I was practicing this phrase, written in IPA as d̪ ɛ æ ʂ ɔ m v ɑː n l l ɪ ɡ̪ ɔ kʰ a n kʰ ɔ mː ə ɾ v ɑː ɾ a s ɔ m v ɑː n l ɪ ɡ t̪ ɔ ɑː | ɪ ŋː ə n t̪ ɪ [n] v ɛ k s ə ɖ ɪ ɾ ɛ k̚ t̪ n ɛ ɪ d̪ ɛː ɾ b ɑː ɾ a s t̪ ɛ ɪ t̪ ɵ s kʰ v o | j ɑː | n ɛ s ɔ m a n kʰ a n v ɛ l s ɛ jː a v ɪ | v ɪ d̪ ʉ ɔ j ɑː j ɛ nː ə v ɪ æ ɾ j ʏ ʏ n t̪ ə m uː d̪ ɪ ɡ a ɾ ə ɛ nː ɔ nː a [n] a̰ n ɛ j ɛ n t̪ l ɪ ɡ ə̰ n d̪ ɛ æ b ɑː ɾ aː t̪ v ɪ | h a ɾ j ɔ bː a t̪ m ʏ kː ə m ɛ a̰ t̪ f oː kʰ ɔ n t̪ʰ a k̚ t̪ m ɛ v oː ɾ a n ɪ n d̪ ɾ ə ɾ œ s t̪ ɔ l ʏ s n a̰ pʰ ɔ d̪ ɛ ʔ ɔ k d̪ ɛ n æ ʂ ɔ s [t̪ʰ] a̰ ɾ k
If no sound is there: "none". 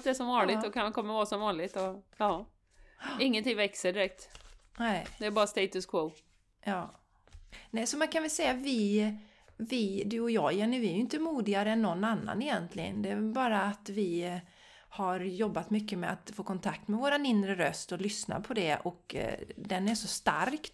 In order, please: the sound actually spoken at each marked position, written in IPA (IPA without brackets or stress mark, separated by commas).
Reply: ŋ, nː, t̪